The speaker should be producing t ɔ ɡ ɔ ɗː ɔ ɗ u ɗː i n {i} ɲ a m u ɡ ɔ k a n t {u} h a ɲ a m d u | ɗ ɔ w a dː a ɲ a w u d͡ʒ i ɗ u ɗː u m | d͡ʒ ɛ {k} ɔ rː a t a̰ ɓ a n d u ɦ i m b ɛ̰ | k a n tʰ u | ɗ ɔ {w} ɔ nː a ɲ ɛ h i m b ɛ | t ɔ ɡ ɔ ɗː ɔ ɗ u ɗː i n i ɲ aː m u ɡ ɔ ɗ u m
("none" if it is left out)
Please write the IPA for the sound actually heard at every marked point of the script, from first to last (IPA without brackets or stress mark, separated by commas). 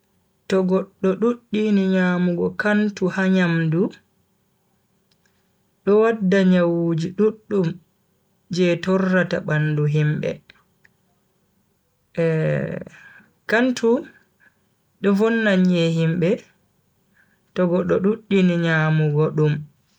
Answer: i, u, t, v